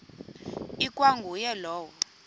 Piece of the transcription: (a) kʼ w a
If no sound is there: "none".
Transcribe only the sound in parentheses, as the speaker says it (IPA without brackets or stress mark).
i